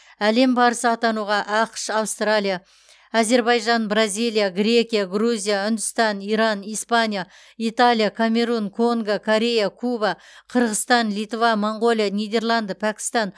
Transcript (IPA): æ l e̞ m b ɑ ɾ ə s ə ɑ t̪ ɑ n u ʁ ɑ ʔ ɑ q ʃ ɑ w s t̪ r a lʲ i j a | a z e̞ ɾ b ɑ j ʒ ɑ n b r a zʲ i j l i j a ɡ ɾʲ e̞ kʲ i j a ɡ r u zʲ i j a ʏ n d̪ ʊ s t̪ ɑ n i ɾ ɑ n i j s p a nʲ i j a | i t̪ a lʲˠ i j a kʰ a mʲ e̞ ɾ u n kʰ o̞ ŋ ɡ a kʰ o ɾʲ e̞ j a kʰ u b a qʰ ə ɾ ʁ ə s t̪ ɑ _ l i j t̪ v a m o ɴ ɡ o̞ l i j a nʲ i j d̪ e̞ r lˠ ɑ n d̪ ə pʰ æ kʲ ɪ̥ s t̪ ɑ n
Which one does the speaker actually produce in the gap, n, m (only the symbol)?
n